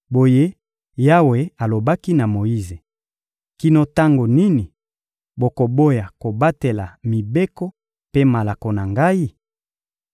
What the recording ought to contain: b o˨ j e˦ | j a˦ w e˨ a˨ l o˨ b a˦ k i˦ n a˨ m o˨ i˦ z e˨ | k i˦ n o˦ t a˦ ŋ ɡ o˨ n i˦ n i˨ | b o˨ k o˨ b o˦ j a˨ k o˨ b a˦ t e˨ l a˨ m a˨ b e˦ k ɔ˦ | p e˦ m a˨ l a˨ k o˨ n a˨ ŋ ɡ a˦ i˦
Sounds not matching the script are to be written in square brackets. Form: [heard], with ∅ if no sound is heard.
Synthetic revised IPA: b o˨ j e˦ | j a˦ w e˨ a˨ l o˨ b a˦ k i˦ n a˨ m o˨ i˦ z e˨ | k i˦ n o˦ t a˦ ŋ ɡ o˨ n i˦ n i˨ | b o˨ k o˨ b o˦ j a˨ k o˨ b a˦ t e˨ l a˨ m [i˨] b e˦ k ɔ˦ | p e˦ m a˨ l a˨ k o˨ n a˨ ŋ ɡ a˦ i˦